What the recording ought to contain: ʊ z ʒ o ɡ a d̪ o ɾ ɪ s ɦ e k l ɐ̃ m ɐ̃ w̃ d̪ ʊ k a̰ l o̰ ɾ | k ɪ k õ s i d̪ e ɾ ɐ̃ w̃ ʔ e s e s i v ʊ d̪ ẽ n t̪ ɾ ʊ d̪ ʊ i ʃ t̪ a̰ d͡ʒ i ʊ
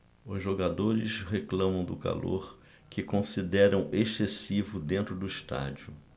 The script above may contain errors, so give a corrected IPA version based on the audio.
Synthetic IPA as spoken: ʊ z ʒ o ɡ a d̪ o ɾ ɪ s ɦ e k l ɐ̃ m ɐ̃ w̃ d̪ ʊ k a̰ l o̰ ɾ | k ɪ k õ s i d̪ ɛ ɾ ɐ̃ w̃ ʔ e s e s i v ʊ d̪ ẽ n t̪ ɾ ʊ d̪ ʊ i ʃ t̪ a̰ d͡ʒ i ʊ